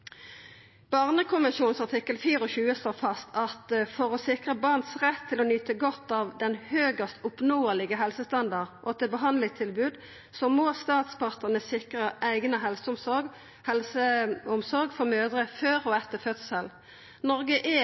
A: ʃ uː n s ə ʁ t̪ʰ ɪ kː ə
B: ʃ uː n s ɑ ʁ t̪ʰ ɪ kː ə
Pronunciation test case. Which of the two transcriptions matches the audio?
B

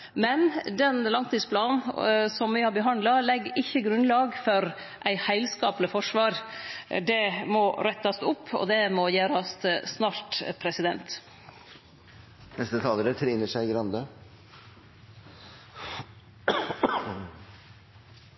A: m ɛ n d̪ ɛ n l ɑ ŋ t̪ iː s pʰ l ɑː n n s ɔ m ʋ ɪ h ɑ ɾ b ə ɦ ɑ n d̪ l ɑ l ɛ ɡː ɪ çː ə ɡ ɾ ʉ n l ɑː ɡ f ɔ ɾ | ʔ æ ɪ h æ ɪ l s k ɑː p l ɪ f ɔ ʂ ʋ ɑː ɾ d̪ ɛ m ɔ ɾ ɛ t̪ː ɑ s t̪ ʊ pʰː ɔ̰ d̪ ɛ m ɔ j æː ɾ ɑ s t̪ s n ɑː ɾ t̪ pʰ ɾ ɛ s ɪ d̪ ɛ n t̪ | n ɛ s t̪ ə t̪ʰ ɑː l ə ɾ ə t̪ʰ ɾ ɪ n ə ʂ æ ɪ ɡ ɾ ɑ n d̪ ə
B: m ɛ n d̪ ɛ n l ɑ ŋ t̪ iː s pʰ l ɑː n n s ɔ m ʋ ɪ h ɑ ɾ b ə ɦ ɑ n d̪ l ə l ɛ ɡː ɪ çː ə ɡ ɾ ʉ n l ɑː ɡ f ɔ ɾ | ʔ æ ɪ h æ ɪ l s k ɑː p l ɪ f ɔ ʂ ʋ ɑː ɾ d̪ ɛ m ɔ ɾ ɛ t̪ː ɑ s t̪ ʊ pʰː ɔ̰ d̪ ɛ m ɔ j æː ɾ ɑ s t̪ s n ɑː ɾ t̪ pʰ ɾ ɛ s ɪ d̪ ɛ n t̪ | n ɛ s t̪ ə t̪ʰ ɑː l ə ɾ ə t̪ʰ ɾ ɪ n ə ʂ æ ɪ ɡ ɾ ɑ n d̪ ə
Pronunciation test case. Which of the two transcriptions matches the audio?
A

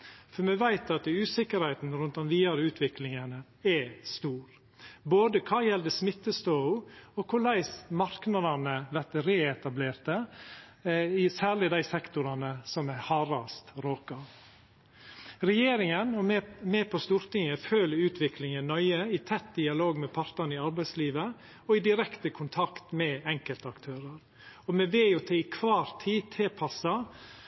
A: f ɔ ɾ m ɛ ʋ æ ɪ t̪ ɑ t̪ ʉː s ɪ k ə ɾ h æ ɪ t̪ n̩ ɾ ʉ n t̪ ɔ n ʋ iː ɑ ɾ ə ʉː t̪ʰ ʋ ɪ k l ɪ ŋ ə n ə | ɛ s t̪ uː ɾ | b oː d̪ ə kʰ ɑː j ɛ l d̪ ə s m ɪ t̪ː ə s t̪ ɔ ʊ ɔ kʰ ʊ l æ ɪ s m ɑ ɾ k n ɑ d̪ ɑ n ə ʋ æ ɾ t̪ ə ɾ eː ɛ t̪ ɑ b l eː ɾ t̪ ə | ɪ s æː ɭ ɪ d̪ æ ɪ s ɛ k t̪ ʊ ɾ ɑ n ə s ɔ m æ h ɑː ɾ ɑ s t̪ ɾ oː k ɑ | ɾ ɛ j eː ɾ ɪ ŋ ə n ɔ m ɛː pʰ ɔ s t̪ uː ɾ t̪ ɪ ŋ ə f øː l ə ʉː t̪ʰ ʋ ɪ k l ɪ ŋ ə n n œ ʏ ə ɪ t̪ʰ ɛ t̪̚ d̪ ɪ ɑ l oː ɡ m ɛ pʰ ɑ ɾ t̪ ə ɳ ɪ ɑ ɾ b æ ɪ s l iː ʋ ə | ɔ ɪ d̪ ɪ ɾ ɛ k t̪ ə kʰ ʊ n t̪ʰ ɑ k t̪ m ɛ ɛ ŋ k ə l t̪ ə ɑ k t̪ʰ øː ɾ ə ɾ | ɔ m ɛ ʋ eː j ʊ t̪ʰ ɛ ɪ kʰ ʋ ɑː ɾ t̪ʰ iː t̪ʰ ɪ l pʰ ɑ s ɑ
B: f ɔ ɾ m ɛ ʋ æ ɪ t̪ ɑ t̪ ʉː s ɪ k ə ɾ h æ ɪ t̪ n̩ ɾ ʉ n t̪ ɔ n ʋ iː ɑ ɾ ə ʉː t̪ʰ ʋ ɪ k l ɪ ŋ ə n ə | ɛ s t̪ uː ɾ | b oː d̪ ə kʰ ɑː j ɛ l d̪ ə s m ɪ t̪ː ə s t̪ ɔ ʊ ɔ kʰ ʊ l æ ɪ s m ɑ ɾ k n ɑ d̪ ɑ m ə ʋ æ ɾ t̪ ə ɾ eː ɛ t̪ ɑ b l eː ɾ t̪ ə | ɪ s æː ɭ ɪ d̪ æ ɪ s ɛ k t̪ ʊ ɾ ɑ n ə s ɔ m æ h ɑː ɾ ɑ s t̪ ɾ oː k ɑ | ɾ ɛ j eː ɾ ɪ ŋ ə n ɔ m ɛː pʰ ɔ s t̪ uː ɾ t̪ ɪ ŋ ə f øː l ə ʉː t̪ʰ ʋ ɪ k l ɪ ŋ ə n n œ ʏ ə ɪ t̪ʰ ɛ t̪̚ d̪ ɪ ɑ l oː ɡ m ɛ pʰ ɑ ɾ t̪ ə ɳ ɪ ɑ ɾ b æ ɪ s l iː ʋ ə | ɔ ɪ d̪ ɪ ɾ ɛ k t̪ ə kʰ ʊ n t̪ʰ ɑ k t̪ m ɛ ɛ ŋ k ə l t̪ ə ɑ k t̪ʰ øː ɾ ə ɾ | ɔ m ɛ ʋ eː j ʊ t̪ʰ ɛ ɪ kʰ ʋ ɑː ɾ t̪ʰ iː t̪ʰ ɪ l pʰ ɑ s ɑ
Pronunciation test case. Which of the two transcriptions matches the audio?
A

